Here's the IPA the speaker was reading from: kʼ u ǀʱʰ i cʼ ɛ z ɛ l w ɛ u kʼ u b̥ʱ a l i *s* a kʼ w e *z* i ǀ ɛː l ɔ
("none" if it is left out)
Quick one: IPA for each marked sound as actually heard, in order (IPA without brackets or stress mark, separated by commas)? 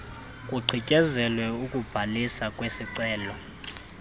s, s